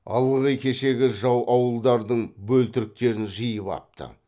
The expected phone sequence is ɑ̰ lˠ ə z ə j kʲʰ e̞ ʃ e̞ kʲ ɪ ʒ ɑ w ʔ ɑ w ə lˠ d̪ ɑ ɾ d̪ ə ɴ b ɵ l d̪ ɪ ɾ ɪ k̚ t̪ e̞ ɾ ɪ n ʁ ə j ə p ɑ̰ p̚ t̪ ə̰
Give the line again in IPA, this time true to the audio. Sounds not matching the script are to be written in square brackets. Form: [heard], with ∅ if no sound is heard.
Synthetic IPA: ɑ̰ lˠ ə [ʁ] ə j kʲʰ e̞ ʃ e̞ [ɡʲ] ɪ ʒ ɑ w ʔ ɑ w ə lˠ d̪ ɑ ɾ d̪ ə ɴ b ɵ l [t̪] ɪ ɾ ɪ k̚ t̪ e̞ ɾ ɪ n [ʒ] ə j ə p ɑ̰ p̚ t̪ ə̰